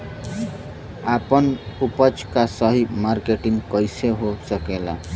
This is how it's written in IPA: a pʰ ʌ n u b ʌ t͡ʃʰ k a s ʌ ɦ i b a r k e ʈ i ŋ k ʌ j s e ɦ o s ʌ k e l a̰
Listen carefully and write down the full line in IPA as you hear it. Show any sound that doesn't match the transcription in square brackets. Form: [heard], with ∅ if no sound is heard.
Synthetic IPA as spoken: a [p] ʌ n u [p] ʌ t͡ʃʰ k a s ʌ ɦ i [m] a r k e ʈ i ŋ k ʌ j s e ɦ o s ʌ k e l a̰